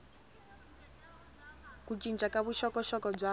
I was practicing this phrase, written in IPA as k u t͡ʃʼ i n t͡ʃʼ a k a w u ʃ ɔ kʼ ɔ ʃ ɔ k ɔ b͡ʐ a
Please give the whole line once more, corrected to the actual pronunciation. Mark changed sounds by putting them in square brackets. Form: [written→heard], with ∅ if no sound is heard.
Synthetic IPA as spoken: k u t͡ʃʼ i n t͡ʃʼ a k a [w→β] u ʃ ɔ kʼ ɔ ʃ ɔ k ɔ b͡ʐ a